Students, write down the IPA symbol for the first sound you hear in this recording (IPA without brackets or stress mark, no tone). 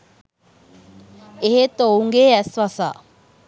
e